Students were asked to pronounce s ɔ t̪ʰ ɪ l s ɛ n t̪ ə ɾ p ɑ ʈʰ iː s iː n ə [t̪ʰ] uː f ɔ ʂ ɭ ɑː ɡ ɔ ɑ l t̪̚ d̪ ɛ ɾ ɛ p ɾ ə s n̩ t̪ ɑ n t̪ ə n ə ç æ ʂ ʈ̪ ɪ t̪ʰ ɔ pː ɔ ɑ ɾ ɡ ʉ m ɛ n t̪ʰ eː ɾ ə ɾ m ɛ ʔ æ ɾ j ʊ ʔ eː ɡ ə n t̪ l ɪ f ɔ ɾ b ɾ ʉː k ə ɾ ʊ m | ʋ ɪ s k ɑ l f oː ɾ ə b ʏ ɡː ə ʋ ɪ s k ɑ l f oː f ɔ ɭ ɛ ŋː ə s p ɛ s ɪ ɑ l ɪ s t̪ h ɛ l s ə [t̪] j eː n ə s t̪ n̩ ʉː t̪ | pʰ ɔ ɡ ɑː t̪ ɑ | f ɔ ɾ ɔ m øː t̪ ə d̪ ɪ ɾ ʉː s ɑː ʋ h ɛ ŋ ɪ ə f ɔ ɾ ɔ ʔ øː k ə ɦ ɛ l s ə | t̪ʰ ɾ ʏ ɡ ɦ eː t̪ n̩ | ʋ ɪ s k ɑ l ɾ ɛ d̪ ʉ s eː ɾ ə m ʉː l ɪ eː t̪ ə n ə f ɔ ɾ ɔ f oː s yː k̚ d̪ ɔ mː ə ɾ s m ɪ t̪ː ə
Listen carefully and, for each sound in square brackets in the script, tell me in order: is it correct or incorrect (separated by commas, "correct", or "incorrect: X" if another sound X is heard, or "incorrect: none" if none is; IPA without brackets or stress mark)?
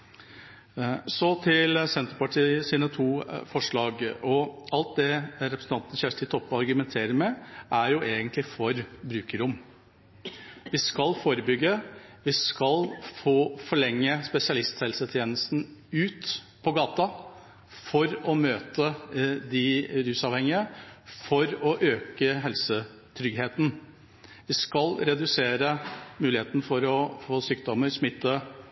correct, incorrect: t̪ʰ